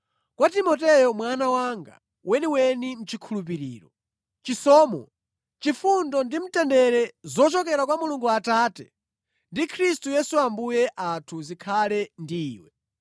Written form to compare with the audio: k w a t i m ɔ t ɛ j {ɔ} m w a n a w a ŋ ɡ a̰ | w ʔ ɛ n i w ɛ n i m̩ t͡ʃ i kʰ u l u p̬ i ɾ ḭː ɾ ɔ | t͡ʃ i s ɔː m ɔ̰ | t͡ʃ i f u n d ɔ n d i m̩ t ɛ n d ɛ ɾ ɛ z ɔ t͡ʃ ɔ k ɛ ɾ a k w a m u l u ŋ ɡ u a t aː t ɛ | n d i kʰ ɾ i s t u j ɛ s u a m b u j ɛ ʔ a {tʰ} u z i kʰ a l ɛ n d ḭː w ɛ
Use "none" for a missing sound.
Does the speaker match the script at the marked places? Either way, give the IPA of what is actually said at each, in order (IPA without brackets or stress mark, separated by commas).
ɔ, tʰ